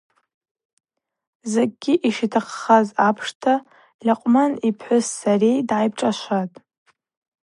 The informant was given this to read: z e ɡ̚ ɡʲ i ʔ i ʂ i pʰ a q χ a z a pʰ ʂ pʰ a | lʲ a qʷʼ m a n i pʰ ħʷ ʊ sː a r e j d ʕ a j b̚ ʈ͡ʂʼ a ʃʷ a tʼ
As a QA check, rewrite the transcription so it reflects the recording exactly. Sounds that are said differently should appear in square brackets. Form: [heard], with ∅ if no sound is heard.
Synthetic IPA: z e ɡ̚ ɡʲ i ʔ i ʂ i [tʰ] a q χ a z a pʰ ʂ [tʰ] a | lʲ a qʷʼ m a n i pʰ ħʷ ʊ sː a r e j d ʕ a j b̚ ʈ͡ʂʼ a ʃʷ a tʼ